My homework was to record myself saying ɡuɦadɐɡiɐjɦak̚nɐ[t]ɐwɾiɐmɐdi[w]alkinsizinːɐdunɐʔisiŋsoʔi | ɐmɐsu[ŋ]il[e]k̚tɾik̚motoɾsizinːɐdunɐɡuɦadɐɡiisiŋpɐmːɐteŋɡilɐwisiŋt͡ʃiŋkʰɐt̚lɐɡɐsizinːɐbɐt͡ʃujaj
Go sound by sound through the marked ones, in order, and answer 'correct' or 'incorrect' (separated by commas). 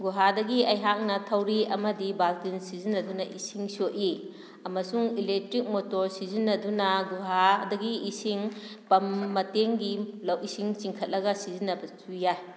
incorrect, incorrect, correct, correct